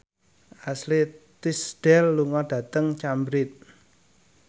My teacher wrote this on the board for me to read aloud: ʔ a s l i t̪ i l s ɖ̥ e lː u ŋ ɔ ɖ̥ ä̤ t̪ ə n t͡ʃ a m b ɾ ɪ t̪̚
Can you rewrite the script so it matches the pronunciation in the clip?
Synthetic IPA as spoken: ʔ a s l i t̪ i s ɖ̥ ɛ lː u ŋ ɔ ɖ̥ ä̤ t̪ ə ŋ t͡ʃ a m b ɾ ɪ t̪̚